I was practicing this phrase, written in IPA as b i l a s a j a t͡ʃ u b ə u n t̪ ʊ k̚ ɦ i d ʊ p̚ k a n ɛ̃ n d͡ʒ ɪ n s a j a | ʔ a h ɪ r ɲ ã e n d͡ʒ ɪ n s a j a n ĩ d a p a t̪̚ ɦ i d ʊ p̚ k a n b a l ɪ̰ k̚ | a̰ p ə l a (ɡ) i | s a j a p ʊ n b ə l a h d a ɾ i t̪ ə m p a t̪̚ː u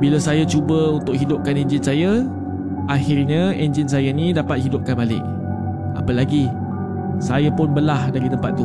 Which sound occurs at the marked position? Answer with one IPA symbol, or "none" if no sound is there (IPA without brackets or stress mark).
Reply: ɡ